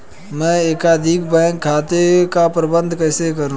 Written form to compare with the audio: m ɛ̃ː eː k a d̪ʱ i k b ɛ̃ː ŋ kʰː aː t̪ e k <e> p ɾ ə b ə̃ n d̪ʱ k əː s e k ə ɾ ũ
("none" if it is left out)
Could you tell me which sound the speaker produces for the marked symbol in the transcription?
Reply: a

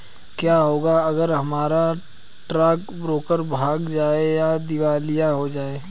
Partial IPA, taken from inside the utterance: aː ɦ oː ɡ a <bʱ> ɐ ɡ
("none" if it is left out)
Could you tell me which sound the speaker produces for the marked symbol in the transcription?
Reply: none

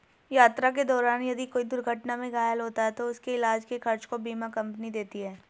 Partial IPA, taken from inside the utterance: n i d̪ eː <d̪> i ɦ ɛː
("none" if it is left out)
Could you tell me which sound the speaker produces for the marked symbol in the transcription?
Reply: t̪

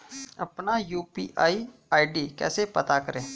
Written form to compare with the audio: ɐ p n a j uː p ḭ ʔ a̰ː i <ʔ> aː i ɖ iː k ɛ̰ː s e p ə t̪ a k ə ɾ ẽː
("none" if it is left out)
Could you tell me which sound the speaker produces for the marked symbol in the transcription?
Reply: none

